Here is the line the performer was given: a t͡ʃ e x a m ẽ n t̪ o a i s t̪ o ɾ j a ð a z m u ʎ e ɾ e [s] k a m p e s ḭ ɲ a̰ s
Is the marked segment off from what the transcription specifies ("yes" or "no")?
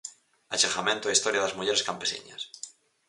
no